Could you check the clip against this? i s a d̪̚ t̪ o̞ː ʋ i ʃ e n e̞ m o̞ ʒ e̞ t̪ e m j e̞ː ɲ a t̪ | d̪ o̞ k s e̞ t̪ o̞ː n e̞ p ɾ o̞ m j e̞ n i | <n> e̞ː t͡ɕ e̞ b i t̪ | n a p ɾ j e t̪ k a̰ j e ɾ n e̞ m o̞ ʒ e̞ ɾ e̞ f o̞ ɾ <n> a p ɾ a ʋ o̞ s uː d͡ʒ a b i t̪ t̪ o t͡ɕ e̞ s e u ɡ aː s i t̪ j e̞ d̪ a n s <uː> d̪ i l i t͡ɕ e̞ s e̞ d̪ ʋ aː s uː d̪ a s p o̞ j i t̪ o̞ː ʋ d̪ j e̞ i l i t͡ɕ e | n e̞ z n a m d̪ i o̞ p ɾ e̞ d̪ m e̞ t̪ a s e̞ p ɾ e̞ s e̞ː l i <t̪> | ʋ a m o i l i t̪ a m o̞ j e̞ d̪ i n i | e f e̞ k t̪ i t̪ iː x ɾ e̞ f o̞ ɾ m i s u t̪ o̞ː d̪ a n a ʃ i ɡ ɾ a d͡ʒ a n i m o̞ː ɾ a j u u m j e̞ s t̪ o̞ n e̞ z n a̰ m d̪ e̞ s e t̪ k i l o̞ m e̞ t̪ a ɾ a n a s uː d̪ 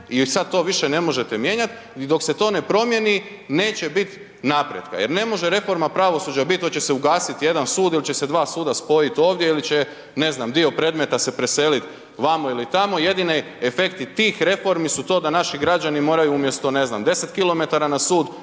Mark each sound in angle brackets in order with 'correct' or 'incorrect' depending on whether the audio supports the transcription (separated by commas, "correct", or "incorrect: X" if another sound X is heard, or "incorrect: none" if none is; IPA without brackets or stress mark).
correct, incorrect: m, correct, correct